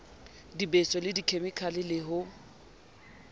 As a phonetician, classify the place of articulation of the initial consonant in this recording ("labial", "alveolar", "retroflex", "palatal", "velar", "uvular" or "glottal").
alveolar